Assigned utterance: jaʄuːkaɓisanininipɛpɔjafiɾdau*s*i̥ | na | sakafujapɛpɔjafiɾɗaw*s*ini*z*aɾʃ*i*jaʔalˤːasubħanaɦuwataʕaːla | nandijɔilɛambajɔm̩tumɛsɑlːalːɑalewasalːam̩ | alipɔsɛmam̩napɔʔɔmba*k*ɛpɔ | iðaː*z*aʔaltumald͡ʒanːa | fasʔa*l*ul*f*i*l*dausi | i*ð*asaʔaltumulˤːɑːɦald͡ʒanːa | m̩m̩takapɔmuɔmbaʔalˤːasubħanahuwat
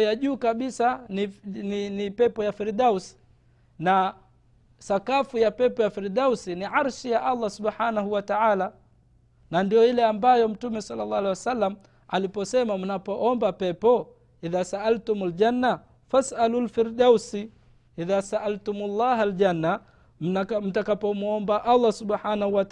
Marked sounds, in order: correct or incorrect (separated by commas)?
correct, correct, incorrect, correct, incorrect, incorrect, correct, correct, incorrect, correct